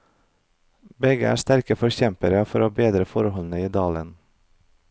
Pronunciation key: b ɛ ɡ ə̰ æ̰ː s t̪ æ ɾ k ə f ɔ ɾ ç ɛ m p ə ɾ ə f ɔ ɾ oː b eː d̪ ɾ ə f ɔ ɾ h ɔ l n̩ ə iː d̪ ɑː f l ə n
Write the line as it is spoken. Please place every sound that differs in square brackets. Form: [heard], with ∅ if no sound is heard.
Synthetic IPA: b ɛ ɡ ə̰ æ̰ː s t̪ æ ɾ k ə f ɔ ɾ ç ɛ m p ə ɾ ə f ɔ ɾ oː b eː d̪ ɾ ə f ɔ ɾ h ɔ l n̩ ə iː d̪ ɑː [∅] l ə n